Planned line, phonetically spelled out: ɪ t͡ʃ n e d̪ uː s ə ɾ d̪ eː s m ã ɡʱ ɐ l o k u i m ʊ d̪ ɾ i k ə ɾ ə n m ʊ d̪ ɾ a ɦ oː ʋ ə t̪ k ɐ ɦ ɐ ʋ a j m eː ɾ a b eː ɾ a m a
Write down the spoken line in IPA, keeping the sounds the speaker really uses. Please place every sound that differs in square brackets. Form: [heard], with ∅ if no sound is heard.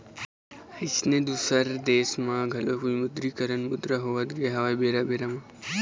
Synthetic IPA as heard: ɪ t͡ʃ n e d̪ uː s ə ɾ d̪ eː s m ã ɡʱ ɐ l o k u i m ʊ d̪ ɾ i k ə ɾ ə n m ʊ d̪ ɾ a ɦ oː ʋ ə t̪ [ɡ] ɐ ɦ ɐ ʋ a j [b] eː ɾ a b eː ɾ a m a